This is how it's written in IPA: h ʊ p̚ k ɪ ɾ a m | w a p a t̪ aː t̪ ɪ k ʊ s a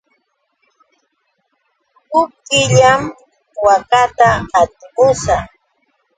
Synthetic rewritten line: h ʊ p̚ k ɪ ʎ a m | w a k a t̪ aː t̪ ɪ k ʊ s a